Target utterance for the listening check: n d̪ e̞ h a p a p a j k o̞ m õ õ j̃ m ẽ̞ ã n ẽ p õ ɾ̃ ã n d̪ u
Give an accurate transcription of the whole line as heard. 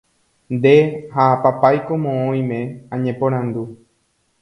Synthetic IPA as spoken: n d̪ e̞ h a p a p a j k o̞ m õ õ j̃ m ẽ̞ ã ɲ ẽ p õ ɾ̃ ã n d̪ u